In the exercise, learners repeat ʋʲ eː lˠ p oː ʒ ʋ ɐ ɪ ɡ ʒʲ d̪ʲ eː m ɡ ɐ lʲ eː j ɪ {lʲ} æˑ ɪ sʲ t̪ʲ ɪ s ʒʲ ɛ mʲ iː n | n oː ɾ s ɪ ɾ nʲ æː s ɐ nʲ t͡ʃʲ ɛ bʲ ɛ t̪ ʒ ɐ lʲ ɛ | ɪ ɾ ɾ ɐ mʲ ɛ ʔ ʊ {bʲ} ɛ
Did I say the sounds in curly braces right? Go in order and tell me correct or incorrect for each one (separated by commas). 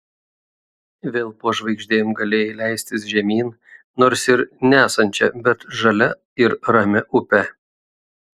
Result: correct, incorrect